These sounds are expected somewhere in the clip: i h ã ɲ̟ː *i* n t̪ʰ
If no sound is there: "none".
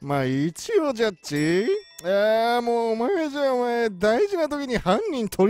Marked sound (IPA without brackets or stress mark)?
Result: ĩ